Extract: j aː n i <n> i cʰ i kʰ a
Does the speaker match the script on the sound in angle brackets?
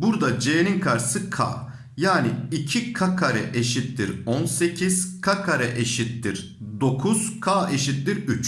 no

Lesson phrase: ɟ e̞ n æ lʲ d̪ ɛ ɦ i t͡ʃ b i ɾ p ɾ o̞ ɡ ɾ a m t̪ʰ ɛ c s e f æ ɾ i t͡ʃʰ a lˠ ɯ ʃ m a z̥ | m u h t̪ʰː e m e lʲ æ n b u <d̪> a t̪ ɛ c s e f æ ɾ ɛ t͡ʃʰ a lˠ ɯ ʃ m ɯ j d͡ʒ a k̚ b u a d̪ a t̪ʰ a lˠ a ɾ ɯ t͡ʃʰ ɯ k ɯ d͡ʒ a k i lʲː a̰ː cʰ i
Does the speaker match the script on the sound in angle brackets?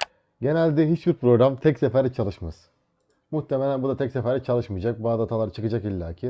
yes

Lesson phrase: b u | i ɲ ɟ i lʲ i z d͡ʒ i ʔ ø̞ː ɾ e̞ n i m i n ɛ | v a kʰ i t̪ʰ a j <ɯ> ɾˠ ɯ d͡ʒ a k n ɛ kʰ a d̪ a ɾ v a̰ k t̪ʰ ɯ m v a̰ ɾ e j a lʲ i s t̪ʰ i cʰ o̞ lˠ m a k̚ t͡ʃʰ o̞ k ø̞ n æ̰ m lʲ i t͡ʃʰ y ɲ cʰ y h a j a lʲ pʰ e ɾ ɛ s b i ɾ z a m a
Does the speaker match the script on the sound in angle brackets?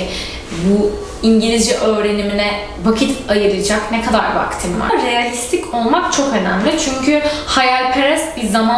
yes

